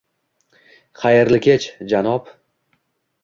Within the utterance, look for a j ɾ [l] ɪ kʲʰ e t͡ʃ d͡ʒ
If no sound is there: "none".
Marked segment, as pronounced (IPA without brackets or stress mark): l